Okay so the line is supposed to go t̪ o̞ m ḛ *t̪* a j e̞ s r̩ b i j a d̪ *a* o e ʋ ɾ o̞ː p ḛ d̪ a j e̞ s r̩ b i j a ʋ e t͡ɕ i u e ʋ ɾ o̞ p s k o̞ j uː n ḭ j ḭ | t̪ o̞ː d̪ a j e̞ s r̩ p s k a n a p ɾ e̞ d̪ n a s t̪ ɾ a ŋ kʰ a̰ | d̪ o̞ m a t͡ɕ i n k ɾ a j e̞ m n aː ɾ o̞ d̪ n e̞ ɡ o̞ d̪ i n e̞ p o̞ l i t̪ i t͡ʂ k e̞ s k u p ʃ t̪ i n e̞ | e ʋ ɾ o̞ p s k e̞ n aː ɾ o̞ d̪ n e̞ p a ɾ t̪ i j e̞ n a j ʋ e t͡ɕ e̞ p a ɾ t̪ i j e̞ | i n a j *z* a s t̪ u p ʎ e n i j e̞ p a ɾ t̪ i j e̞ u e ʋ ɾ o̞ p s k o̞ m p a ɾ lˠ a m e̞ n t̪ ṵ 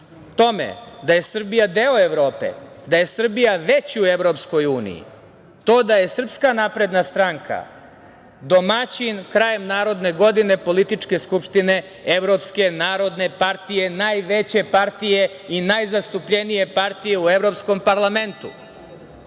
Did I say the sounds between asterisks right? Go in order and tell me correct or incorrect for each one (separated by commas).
incorrect, incorrect, correct